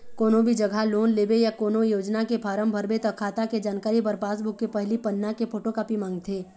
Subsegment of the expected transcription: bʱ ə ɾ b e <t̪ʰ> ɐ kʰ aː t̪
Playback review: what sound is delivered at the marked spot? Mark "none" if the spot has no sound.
t̪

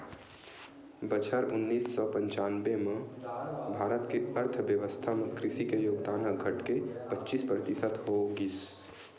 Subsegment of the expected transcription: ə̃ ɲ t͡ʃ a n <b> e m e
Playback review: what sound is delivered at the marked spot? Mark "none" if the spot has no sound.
b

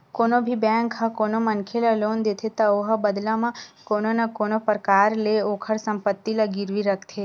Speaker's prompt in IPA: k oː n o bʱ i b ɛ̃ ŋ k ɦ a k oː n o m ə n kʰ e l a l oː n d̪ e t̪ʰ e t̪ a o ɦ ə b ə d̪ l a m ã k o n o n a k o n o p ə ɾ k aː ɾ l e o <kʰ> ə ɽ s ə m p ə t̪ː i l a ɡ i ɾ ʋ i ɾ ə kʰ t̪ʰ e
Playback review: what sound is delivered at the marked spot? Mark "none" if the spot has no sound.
kʰ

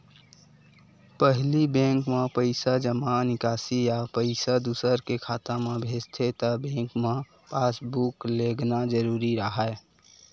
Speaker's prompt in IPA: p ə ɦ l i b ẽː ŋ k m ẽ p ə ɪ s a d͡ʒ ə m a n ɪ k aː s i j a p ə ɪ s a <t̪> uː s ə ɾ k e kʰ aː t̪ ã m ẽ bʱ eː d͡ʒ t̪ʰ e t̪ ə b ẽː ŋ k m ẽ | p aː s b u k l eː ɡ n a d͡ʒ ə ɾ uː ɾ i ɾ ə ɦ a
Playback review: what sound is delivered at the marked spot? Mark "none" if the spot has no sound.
d̪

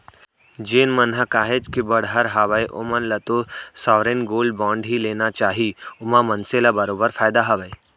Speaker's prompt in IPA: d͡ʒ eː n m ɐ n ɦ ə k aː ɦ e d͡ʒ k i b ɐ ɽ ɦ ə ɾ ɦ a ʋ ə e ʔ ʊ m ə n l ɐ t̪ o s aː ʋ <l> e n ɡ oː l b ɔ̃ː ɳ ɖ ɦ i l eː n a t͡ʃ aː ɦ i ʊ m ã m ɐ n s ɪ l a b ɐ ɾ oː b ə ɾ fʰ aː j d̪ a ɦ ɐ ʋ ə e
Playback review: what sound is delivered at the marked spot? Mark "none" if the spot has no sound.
ɾ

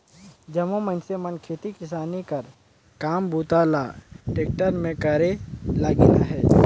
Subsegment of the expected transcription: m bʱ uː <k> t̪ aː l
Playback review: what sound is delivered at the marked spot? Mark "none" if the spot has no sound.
none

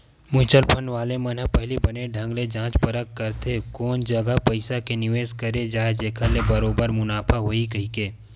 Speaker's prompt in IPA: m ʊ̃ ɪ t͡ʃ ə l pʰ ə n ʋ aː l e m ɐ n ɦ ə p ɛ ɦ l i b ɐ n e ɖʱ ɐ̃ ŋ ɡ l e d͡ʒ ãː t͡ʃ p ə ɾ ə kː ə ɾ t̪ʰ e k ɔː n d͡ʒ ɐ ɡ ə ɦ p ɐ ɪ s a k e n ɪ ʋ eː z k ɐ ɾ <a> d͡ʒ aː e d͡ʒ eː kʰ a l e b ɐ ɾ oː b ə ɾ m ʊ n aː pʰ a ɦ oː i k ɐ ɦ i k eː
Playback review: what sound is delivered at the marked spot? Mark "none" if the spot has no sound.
e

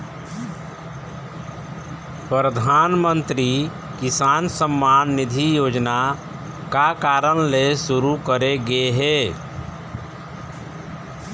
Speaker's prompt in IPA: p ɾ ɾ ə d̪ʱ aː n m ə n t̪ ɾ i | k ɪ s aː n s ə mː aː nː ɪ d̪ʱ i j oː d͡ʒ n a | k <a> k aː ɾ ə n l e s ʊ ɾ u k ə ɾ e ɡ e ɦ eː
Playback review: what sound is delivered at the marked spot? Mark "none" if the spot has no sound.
a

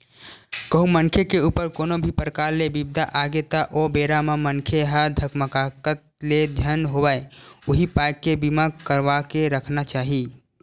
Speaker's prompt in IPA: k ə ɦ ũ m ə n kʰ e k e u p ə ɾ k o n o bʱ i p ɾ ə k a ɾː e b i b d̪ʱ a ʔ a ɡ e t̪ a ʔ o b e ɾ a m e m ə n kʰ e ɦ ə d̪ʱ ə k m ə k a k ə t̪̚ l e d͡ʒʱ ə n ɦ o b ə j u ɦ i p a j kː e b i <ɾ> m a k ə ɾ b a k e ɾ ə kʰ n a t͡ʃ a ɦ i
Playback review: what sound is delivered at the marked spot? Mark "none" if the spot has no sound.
none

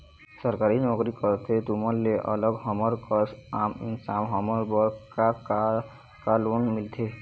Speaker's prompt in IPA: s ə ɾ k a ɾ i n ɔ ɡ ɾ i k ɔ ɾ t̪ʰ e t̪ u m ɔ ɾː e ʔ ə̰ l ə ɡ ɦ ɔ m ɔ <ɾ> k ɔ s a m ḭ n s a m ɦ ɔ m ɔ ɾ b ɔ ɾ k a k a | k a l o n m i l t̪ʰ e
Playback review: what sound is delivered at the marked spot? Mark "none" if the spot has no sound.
ɾ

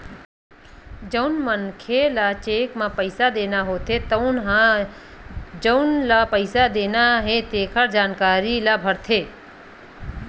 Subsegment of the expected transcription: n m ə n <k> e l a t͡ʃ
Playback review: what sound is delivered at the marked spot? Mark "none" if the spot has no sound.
kʰ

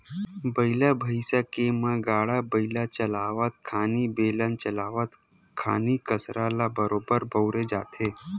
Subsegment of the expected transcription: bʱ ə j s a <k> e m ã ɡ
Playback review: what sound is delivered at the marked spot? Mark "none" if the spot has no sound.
k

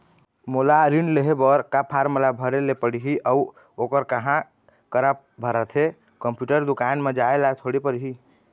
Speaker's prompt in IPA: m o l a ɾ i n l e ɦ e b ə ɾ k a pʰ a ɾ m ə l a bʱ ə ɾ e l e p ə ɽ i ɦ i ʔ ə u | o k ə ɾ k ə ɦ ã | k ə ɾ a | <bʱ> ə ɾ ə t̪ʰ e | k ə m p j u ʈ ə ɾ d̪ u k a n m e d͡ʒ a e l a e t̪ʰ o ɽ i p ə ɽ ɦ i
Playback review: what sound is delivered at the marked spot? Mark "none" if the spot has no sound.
bʱ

